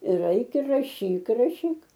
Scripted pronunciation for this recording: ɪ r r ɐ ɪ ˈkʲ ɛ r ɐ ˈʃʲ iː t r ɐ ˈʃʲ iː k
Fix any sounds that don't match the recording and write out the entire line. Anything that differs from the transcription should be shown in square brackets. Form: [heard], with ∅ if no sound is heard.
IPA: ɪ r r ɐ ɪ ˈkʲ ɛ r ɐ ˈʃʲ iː [k] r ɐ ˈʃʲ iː k